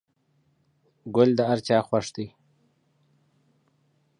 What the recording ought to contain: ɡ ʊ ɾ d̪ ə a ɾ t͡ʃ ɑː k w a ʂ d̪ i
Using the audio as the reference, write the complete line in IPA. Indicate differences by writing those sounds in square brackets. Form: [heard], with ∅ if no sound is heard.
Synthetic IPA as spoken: ɡ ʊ [l] d̪ ə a ɾ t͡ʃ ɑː [x] w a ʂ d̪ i